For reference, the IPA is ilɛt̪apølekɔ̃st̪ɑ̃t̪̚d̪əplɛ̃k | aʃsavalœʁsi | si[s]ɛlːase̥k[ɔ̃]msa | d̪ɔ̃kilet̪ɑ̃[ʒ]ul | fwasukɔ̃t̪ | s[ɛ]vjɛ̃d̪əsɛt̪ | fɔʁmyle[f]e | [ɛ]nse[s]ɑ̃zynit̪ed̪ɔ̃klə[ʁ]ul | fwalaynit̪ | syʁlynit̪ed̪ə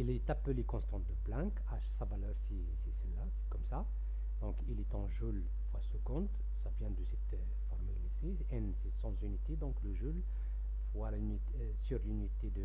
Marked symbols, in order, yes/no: yes, no, yes, no, no, yes, yes, no

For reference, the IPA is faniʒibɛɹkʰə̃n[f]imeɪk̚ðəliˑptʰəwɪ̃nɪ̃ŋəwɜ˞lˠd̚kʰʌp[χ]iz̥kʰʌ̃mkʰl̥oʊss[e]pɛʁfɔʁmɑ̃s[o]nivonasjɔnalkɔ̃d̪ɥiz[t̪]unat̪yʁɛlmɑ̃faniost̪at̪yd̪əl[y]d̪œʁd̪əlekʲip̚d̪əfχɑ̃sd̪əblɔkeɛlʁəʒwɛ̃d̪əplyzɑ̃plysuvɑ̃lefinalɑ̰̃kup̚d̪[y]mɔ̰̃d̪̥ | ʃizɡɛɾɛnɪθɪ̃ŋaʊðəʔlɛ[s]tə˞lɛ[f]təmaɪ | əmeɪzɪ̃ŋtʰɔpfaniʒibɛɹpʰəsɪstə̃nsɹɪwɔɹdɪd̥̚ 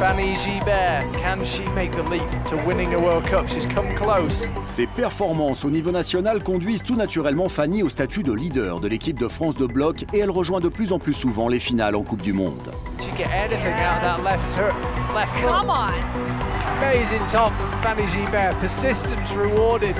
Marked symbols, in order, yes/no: no, no, yes, yes, yes, no, yes, no, yes

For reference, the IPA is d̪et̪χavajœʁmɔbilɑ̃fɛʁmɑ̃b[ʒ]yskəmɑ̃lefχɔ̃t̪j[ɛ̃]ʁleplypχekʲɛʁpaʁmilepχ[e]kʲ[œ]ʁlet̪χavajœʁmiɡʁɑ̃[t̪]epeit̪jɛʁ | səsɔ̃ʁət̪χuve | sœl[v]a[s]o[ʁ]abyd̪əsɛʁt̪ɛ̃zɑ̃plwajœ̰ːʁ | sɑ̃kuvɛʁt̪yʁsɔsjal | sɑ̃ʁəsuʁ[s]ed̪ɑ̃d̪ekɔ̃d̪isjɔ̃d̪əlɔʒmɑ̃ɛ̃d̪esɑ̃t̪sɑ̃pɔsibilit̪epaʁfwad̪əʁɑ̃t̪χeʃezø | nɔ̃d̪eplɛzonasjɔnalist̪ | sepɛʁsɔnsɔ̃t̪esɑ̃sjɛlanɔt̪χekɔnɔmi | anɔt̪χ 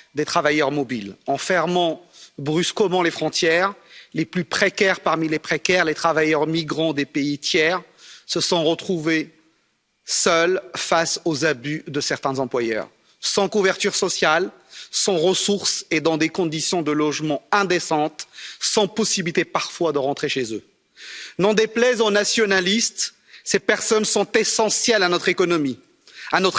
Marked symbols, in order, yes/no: no, no, yes, no, no, no, yes, no, yes

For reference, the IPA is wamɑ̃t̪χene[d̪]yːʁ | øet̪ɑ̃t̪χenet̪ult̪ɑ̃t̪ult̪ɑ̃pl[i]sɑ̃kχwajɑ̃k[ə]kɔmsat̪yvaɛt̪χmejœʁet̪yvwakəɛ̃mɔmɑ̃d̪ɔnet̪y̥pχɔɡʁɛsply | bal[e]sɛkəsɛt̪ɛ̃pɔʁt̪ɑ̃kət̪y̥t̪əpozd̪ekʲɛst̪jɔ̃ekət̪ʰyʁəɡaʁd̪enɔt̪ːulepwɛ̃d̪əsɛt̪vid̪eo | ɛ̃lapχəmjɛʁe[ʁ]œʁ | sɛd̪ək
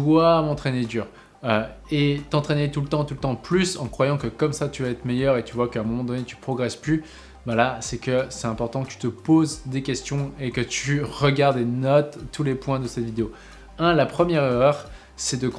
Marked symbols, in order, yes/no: yes, no, yes, no, yes

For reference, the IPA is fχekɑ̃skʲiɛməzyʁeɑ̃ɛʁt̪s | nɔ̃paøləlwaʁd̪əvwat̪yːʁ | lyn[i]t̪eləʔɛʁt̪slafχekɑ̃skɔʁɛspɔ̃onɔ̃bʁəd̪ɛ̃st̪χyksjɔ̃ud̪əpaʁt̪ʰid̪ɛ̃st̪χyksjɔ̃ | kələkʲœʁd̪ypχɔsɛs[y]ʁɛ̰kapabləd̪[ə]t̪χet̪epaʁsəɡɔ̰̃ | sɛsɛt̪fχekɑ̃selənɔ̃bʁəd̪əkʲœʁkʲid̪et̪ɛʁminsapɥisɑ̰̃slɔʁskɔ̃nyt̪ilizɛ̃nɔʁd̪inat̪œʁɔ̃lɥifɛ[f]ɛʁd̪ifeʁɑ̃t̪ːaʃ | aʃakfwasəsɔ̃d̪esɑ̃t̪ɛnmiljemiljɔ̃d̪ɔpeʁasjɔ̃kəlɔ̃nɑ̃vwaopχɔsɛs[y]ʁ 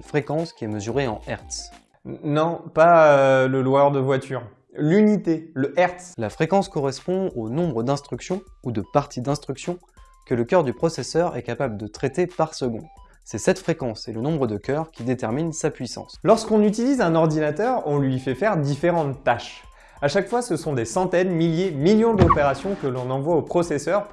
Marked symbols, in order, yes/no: yes, no, yes, yes, no

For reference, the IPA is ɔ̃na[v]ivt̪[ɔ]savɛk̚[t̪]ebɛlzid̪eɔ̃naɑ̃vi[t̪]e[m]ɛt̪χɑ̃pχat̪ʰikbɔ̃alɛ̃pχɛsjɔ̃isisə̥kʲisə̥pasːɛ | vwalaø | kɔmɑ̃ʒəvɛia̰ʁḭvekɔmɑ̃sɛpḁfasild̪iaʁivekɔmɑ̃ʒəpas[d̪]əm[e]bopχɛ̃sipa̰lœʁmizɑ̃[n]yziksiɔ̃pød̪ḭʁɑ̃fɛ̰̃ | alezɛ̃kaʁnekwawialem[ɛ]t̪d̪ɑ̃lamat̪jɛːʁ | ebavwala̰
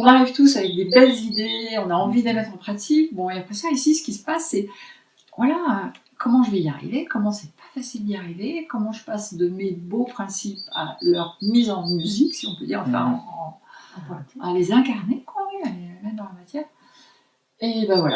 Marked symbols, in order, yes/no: no, no, no, no, yes, yes, yes, no, yes

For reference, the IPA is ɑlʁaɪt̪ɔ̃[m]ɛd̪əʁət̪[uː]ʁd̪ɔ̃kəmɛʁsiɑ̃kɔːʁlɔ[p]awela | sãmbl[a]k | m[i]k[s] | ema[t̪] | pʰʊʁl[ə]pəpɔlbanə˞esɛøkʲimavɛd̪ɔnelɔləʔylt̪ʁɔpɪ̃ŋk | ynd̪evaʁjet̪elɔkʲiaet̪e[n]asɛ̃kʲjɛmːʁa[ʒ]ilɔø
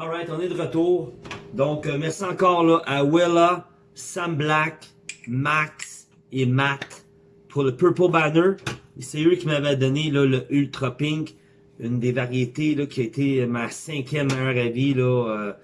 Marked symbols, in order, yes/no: no, yes, no, yes, no, yes, yes, yes, no, no

